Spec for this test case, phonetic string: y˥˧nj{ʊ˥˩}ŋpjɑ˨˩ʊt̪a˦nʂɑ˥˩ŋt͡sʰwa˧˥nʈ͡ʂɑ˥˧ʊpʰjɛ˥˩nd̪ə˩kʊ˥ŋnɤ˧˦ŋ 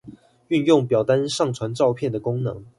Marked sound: correct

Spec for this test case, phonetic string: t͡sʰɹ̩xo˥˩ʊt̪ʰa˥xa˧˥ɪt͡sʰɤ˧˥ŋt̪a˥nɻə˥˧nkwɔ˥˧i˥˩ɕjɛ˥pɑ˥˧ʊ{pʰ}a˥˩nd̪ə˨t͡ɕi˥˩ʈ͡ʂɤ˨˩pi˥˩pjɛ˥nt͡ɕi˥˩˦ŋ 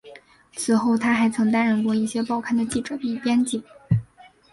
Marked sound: incorrect: kʰ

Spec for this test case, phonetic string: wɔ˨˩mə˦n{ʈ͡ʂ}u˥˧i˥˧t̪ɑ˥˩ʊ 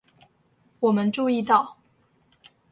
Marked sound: correct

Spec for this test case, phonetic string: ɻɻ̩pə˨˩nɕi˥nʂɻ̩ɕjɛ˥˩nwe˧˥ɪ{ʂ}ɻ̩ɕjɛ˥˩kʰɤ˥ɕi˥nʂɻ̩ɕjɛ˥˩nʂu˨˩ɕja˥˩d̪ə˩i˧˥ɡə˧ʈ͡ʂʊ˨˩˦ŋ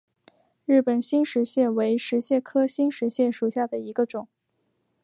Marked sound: correct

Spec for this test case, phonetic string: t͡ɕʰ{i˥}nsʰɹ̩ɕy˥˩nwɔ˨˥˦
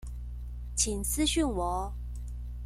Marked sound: incorrect: i˨˩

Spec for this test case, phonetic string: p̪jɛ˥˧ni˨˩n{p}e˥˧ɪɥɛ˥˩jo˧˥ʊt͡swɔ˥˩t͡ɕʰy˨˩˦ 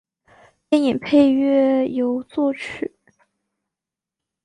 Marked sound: incorrect: pʰ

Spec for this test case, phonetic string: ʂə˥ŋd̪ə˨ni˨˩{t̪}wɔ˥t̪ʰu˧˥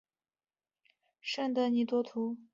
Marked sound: correct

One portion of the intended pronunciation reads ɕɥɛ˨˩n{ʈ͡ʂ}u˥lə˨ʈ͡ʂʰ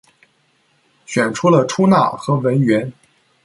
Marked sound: incorrect: ʈ͡ʂʰ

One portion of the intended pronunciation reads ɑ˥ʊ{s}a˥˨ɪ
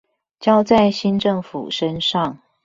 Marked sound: incorrect: t͡s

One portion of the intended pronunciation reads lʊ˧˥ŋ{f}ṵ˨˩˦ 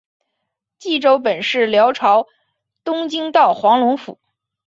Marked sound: correct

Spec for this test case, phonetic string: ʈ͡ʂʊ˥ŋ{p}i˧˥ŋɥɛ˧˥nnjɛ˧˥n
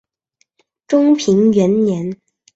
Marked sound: incorrect: pʰ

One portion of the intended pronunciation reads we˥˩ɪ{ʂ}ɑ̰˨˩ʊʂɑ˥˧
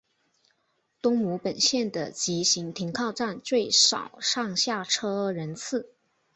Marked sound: correct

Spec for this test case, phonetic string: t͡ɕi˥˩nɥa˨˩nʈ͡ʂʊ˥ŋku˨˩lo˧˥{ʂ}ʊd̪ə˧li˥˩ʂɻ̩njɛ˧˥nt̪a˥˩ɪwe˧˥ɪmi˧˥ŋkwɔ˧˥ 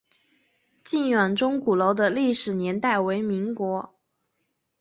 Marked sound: incorrect: none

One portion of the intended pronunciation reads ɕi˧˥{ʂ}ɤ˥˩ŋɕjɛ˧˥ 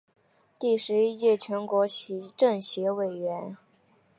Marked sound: incorrect: ʈ͡ʂ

